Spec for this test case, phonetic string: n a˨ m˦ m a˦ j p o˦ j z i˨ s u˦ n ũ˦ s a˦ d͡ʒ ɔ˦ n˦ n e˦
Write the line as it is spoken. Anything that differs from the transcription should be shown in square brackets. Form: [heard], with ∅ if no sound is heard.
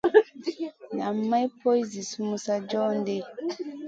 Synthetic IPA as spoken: n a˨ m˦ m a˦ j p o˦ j z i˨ s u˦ [m] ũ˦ s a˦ d͡ʒ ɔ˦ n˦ [d] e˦

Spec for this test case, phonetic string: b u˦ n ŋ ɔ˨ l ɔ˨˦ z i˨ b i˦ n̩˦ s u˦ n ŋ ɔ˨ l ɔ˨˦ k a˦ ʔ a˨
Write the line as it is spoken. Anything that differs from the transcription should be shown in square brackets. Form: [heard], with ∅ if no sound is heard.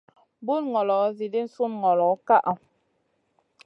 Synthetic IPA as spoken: b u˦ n ŋ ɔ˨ l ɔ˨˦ z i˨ [d] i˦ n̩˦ s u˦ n ŋ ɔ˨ l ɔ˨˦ k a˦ ʔ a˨

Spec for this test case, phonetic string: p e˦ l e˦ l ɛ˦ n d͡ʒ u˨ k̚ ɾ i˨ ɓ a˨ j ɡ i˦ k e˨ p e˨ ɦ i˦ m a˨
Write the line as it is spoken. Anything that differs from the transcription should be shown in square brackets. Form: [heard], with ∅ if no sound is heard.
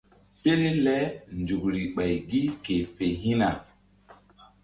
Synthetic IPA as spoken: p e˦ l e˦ l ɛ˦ n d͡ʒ u˨ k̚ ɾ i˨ ɓ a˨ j ɡ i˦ k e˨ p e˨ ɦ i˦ [n] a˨

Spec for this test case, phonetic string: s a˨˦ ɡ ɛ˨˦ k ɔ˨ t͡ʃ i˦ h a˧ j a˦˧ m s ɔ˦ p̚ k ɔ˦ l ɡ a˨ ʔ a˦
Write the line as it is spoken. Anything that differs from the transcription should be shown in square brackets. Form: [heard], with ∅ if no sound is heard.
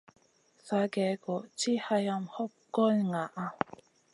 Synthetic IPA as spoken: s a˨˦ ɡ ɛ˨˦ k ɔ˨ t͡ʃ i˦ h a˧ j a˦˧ m [h] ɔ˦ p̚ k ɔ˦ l [ŋ] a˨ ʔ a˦

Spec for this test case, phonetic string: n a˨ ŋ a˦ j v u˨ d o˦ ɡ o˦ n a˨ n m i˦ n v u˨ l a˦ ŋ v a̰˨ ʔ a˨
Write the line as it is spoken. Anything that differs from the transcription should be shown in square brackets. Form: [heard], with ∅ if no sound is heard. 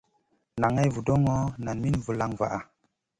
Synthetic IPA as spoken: n a˨ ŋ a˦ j v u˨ d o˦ [ŋ] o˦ n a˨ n m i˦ n v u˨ l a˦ ŋ v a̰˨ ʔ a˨

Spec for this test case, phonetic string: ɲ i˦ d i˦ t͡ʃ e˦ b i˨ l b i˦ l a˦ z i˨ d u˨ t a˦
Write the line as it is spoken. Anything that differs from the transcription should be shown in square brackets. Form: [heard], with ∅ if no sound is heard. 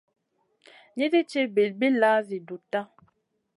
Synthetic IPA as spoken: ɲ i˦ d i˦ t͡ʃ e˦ b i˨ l b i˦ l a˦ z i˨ d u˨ t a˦

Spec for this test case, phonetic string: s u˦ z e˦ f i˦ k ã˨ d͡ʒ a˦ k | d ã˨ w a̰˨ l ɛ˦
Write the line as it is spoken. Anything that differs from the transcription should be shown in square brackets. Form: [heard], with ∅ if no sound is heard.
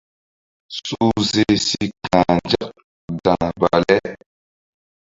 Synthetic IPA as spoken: s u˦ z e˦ [s] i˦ k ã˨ d͡ʒ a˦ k | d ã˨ [b] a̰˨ l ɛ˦

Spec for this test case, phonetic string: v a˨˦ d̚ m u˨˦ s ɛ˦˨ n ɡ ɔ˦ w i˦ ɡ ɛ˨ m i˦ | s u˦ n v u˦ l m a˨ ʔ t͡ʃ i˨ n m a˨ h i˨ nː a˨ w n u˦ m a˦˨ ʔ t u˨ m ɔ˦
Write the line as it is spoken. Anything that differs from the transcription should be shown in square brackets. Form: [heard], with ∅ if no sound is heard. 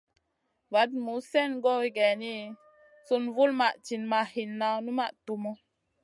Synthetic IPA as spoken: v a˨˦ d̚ m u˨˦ s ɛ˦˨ n ɡ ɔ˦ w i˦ ɡ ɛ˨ [n] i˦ | s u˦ n v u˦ l m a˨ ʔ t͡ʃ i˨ n m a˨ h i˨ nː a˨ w n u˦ m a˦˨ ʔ t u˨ m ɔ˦

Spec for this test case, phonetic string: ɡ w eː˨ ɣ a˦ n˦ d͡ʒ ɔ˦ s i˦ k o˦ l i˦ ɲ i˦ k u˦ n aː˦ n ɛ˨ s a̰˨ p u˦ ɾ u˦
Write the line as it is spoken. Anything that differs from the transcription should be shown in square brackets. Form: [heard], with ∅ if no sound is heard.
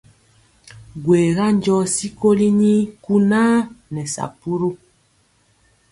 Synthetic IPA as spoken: ɡ w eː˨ ɣ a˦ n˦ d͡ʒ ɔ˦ s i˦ k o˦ l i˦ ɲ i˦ k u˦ n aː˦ n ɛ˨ s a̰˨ p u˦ ɾ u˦

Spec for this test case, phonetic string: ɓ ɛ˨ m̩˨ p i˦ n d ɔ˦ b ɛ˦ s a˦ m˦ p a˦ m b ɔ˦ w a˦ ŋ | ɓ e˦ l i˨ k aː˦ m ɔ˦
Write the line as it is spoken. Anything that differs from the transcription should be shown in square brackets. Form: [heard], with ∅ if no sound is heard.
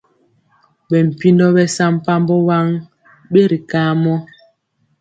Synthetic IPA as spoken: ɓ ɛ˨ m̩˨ p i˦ n d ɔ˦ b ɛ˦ s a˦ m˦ p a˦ m b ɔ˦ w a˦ ŋ | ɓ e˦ [ɾ] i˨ k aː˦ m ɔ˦

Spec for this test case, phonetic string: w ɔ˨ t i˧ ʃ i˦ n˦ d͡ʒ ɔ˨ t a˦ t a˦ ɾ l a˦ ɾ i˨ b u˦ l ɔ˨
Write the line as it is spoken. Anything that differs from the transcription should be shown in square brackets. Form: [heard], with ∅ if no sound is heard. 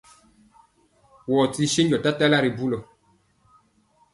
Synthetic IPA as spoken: w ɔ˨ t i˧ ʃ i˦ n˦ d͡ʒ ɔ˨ t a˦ t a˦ [∅] l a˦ ɾ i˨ b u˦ l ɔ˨

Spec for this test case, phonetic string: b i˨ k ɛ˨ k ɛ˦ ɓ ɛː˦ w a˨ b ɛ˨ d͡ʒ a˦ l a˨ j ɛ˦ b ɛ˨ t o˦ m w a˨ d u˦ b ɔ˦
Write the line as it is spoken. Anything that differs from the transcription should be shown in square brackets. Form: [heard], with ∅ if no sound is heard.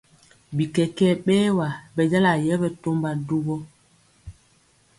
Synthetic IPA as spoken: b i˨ k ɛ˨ k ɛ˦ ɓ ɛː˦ w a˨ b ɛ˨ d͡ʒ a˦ l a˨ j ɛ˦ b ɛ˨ t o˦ m [b] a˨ d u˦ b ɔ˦

